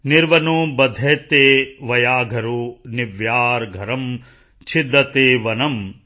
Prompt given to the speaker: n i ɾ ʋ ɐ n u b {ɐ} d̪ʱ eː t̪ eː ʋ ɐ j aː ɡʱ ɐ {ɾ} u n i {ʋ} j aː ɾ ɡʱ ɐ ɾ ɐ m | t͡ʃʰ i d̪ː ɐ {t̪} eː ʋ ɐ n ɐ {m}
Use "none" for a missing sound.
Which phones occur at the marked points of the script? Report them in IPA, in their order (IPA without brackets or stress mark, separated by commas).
ɐ, ɾ, ʋ, t̪, m